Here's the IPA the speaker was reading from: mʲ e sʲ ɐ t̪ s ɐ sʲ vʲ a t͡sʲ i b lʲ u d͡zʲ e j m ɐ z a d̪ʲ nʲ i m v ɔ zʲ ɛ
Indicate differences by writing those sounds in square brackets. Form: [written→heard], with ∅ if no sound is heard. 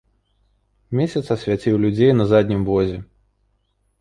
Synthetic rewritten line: mʲ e sʲ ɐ t̪ s ɐ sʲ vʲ a t͡sʲ i [b→w] lʲ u d͡zʲ e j [m→n] ɐ z a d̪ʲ nʲ i m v ɔ zʲ ɛ